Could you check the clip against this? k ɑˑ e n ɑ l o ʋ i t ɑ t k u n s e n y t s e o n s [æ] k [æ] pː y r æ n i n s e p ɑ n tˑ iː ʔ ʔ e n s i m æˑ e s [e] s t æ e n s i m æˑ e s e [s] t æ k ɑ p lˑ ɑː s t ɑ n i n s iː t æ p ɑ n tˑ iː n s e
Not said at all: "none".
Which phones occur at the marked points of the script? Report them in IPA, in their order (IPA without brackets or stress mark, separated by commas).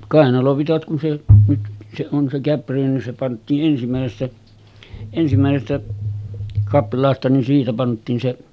e, æ, e, s